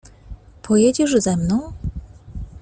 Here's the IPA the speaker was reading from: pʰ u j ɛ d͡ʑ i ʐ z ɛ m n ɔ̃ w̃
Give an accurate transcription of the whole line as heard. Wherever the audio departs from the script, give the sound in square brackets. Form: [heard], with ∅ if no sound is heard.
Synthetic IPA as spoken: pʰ [ɔ] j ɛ d͡ʑ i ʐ z ɛ m n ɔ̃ w̃